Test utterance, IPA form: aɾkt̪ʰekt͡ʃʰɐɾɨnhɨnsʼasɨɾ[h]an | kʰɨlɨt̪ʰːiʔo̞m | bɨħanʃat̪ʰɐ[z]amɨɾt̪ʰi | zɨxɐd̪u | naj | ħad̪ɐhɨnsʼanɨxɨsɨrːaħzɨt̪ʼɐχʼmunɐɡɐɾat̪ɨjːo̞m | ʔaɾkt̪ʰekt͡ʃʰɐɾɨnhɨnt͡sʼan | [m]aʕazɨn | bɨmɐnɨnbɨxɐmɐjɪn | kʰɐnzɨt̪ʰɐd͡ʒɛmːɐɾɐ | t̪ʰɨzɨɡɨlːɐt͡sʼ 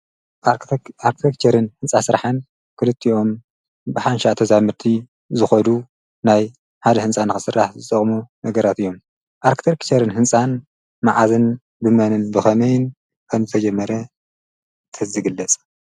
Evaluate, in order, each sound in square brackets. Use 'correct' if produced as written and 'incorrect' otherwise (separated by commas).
incorrect, correct, correct